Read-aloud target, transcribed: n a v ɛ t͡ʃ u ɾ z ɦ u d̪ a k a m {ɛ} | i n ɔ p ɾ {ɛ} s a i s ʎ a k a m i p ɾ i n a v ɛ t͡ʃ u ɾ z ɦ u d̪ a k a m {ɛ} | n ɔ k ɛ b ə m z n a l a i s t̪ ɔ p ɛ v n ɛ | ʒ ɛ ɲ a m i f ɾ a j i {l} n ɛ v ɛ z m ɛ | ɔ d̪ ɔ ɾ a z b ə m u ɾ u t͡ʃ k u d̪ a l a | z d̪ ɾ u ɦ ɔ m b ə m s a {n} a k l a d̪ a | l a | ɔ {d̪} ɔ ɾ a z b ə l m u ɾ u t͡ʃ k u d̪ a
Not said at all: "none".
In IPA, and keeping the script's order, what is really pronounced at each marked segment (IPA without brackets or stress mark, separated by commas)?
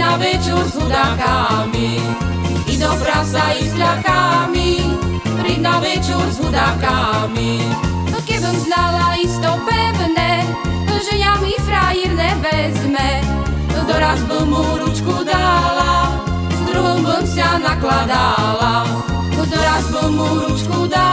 i, a, i, ɾ, n, d̪